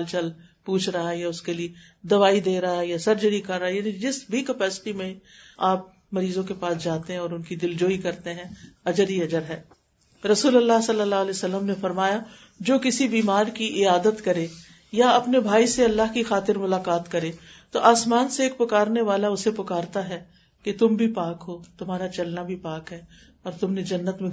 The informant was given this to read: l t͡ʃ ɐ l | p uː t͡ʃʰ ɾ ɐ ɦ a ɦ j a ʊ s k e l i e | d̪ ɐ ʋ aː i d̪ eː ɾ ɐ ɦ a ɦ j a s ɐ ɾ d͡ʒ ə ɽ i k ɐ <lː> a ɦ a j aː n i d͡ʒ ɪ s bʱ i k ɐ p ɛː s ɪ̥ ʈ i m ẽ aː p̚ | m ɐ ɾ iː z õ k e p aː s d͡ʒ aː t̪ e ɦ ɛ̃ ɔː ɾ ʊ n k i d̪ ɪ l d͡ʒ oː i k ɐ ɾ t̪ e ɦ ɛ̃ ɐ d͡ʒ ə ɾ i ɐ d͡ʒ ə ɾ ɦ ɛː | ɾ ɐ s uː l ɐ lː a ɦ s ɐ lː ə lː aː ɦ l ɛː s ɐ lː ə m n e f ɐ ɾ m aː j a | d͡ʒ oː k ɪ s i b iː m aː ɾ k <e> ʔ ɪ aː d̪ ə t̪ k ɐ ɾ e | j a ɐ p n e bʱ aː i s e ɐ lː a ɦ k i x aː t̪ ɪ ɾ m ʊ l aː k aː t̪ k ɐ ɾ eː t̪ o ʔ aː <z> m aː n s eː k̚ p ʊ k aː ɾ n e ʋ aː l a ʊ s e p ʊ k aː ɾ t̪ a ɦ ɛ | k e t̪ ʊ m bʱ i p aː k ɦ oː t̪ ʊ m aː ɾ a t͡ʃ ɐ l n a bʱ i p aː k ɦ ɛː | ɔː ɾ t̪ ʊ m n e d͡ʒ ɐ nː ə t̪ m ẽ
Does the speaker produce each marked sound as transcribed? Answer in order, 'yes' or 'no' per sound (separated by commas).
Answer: no, no, no